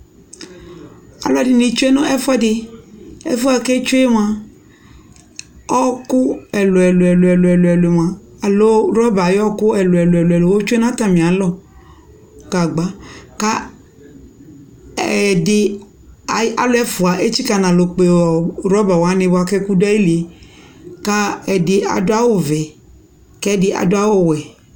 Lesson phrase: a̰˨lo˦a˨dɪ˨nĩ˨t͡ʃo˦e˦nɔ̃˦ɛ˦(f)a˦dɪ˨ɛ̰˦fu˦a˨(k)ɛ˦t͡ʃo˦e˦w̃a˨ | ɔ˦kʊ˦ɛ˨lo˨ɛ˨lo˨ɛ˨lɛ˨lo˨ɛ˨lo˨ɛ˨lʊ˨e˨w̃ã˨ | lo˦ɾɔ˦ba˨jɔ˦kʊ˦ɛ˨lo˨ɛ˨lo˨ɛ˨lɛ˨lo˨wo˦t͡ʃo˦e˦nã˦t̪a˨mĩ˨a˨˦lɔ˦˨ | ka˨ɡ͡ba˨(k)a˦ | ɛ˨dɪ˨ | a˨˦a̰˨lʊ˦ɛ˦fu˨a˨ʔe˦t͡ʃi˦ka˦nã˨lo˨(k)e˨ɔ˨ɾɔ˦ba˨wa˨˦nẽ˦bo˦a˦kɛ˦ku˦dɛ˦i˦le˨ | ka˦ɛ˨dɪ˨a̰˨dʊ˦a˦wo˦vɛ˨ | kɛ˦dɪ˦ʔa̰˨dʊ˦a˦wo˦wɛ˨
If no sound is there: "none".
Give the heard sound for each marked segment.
f, k, k, k͡p

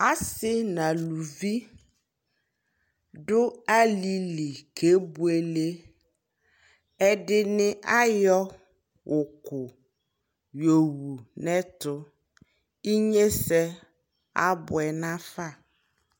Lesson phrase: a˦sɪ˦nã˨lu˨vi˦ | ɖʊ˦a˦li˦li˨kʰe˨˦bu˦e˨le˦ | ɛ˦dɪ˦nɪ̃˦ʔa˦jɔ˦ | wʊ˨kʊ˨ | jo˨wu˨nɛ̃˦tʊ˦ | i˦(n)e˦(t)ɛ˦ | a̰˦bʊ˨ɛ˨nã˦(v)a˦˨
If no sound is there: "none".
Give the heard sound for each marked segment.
ɲ, s, f

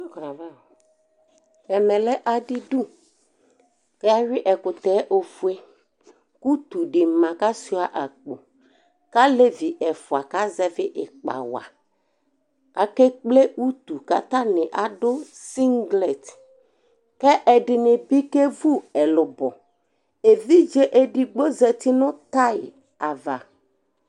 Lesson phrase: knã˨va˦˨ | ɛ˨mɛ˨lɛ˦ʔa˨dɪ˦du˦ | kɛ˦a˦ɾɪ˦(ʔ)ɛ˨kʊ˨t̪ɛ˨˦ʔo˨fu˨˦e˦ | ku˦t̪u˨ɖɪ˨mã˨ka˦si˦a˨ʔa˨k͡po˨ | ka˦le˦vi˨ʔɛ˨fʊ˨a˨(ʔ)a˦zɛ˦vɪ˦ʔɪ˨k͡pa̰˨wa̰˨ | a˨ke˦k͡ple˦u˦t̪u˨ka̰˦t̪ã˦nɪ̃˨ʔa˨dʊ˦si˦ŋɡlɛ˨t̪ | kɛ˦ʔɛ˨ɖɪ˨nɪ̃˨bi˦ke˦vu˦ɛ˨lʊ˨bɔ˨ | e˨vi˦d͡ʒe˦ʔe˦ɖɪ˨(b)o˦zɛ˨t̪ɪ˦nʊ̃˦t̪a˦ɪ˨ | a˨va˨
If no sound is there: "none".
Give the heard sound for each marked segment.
ʔ, k, ɡ͡b

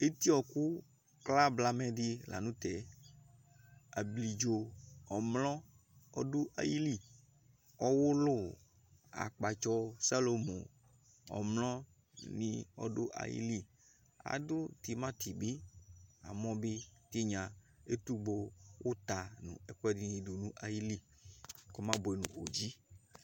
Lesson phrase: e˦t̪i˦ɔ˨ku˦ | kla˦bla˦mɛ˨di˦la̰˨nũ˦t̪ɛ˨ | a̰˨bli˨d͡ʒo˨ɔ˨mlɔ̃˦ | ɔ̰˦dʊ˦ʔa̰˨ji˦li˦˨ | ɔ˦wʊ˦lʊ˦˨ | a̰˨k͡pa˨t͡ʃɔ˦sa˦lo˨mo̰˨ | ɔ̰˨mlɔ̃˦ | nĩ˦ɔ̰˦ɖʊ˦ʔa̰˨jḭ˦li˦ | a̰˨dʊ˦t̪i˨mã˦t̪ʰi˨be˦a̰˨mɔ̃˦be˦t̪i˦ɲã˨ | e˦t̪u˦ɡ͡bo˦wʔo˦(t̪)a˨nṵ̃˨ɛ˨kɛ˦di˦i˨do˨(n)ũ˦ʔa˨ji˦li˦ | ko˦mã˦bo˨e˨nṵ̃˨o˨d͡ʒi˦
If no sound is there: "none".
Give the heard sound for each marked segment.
t̪, n

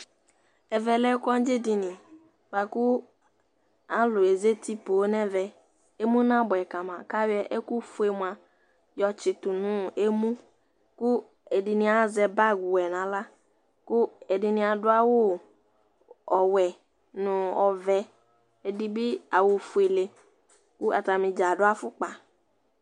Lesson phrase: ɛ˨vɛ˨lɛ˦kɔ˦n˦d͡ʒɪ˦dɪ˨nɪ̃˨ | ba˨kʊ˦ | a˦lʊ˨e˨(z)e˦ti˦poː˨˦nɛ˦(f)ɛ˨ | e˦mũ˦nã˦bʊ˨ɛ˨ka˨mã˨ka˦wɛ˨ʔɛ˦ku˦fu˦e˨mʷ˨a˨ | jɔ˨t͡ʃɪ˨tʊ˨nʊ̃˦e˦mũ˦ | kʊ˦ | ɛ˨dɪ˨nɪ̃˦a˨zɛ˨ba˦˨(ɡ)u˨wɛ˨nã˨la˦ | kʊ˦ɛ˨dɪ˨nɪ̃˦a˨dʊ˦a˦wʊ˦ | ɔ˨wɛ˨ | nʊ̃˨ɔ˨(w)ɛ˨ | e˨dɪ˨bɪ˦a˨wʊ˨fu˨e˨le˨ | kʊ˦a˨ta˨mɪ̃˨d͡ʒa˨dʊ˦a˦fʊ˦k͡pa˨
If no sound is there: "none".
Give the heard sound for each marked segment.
z, v, ɡ, v

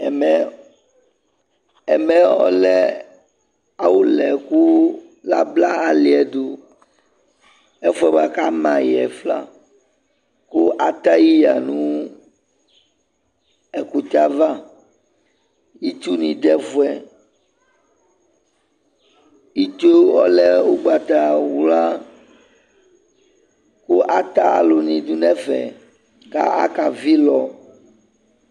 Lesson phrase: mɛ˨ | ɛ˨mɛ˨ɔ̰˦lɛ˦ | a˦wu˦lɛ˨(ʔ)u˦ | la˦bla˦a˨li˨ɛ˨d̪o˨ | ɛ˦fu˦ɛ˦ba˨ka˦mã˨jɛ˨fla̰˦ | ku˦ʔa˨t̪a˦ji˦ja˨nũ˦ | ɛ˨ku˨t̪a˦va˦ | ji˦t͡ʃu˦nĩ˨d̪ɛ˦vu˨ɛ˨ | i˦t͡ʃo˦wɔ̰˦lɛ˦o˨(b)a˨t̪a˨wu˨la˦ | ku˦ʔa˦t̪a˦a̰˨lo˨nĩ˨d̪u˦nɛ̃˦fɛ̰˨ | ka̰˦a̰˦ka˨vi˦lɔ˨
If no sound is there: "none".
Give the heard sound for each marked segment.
k, ɡ͡b

